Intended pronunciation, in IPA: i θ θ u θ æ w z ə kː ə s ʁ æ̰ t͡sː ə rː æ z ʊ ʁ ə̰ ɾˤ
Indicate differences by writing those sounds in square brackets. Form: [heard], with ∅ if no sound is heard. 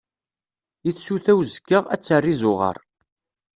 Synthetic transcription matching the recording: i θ [s] u θ æ w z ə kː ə [∅] ʁ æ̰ t͡sː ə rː [i] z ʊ ʁ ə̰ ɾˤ